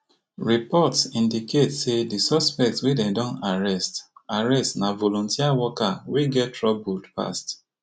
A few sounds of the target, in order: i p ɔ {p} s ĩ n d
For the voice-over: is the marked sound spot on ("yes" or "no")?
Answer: no